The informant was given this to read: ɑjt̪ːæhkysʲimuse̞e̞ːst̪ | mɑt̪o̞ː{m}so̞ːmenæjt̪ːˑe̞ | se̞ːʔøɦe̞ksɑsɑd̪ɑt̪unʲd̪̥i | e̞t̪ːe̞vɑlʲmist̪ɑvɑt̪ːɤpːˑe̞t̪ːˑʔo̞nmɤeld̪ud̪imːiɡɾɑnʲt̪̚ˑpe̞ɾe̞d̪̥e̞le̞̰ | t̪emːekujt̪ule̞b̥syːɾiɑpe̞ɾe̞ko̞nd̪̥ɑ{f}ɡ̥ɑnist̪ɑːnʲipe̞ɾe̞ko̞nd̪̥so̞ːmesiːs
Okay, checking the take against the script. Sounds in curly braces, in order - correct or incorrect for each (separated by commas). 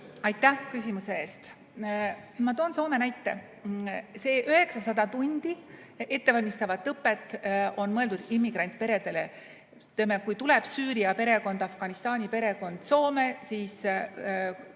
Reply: incorrect, correct